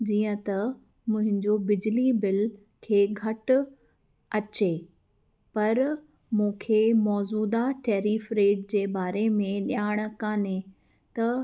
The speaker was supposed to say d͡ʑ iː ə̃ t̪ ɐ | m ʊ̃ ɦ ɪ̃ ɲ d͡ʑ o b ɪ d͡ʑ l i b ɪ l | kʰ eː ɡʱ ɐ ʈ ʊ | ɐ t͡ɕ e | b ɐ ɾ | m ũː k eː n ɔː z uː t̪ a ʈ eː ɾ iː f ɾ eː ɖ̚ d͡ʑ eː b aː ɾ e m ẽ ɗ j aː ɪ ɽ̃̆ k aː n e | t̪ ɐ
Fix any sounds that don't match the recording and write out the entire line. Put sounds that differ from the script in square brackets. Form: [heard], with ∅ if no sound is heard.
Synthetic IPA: d͡ʑ iː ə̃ t̪ ɐ | m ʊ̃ ɦ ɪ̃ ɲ d͡ʑ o b ɪ d͡ʑ l i b ɪ l | kʰ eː ɡʱ ɐ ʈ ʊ | ɐ t͡ɕ e | [p] ɐ ɾ | m ũː [kʰ] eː [m] ɔː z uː [d̪] a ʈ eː ɾ iː f ɾ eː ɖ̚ d͡ʑ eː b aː ɾ e m ẽ ɗ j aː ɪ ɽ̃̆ k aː n e | t̪ ɐ